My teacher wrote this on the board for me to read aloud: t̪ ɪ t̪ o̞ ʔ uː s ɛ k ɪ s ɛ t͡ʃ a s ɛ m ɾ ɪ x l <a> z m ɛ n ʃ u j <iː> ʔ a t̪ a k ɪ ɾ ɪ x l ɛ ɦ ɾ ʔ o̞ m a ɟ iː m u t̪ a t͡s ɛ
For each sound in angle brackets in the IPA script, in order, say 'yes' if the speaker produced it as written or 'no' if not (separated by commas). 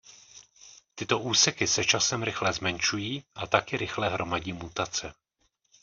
no, yes